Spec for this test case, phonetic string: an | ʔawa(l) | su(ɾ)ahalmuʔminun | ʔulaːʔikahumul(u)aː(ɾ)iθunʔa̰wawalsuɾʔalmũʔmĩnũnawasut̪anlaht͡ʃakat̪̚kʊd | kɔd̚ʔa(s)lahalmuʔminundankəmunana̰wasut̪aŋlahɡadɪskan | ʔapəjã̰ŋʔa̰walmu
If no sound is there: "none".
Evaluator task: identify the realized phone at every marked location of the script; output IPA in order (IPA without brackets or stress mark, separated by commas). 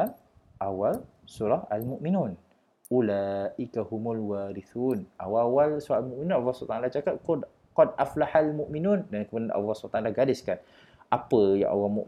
l, ɾ, w, ɾ, f